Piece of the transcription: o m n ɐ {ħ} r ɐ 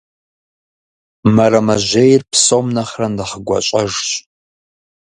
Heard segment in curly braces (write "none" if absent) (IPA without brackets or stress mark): χ